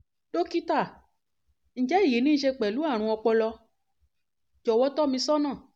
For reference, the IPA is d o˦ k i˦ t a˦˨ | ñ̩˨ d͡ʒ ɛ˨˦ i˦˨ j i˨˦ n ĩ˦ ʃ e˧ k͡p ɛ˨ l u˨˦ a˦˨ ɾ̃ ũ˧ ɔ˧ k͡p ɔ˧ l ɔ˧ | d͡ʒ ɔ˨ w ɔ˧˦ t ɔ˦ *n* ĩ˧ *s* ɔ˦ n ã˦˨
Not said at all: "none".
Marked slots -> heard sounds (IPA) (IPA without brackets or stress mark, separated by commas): m, s